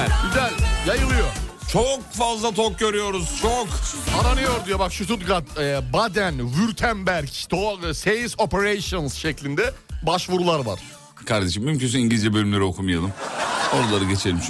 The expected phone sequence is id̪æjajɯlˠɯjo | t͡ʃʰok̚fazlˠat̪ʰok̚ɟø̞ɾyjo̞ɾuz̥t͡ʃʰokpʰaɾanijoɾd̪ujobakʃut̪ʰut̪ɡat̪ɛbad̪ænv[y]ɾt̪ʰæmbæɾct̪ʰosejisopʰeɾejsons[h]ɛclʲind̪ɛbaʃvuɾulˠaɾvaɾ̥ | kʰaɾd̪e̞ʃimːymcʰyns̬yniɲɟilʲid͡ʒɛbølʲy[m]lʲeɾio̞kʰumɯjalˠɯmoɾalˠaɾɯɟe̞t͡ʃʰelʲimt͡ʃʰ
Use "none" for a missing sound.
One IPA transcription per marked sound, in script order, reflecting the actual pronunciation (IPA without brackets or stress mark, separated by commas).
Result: y, ʃ, m